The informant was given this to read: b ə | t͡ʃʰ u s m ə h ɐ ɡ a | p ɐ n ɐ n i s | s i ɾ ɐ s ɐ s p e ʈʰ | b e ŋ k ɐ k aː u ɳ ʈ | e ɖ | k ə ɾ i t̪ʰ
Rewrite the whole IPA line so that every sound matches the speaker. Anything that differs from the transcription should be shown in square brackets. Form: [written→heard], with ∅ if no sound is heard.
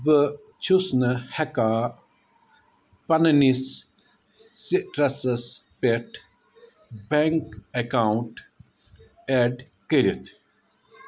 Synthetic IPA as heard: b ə | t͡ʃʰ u s [m→n] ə h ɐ [ɡ→k] a | p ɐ n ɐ n i s | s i ɾ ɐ s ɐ s p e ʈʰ | b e ŋ k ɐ k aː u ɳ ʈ | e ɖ | k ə ɾ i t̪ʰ